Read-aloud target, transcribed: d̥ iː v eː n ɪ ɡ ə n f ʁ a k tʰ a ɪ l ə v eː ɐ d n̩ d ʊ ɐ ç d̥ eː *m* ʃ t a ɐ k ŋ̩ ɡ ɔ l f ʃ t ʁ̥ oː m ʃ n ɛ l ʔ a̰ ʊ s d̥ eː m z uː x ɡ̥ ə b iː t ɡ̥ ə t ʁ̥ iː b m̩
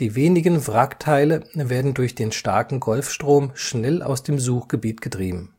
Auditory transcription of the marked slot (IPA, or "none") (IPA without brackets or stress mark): n